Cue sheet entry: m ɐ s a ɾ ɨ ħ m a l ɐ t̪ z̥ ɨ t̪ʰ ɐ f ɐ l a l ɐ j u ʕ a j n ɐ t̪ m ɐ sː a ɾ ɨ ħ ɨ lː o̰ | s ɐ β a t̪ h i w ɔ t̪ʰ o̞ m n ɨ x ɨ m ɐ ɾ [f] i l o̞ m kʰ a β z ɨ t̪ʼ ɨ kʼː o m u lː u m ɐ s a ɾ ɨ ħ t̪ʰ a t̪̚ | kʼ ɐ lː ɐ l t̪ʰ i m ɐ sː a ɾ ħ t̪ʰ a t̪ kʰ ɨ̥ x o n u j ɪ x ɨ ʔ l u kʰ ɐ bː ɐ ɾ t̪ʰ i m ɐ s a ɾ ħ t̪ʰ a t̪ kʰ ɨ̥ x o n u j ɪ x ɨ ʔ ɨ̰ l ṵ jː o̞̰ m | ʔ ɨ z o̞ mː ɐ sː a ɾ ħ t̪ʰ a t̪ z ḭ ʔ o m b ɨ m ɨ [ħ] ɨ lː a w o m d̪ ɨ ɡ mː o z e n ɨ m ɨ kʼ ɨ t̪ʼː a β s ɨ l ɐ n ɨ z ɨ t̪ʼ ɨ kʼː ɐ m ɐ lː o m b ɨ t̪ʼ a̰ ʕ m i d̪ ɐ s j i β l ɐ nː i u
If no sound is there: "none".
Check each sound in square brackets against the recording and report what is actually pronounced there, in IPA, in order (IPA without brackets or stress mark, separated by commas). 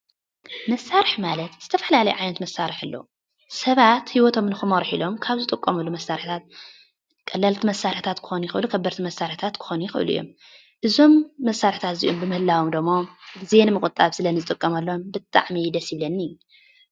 ħ, h